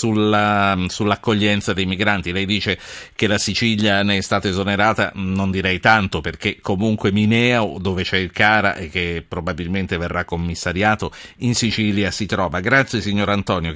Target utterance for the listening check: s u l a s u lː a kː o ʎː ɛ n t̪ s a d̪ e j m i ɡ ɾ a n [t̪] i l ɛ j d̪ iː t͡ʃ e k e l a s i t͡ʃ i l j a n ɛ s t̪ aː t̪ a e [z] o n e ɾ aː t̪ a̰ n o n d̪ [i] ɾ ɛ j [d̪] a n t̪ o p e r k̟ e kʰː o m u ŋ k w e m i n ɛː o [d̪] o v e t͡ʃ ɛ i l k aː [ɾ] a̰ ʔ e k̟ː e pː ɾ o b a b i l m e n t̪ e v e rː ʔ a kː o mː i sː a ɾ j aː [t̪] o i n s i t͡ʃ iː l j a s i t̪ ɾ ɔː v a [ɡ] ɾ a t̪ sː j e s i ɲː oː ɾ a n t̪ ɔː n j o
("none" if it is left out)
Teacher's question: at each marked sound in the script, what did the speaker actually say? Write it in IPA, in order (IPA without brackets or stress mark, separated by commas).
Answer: t̪, z, i, t̪, d̪, ɾ, t̪, ɡ